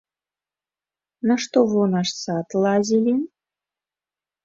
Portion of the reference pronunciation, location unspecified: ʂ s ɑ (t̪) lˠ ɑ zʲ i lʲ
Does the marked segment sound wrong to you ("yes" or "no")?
no